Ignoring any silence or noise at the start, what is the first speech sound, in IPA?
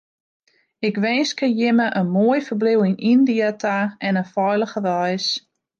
ɪ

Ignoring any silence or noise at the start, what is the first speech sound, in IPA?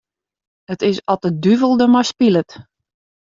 ə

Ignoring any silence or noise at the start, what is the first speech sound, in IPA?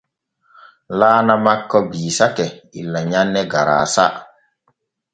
l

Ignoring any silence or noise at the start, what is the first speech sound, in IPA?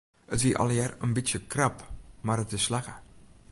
ə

